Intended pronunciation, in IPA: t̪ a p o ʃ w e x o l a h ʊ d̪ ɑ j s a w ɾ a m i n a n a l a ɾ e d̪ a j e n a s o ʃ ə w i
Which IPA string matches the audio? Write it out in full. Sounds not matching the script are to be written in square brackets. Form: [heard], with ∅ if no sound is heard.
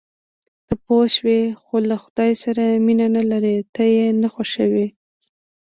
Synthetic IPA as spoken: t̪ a p o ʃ w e x o l a [x] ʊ d̪ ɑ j s a [∅] ɾ a m i n a n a l a ɾ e [t̪] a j e n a [x] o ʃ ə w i